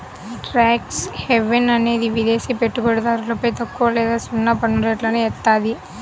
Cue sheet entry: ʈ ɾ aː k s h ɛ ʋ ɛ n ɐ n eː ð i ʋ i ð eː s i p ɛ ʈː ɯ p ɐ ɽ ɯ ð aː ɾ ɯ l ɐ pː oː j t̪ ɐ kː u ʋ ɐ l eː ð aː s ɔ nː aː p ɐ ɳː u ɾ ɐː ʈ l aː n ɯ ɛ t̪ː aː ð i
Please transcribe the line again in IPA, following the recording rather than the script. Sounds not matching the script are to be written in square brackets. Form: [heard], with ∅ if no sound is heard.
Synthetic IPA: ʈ ɾ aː k s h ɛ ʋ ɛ n ɐ n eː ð i ʋ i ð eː s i p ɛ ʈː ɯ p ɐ ɽ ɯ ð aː ɾ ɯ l ɐ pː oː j t̪ ɐ kː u ʋ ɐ l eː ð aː s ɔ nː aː p ɐ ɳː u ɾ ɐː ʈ l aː n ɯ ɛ t̪ː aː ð i